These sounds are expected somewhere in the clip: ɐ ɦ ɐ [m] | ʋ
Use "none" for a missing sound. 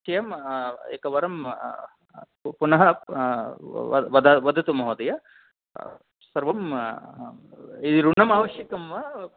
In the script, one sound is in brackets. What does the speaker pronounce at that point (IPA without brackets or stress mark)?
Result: none